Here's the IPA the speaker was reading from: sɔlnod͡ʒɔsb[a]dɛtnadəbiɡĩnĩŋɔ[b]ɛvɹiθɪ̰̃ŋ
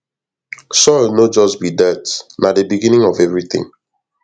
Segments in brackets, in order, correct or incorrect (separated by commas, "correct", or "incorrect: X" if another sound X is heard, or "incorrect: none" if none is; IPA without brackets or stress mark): incorrect: i, incorrect: v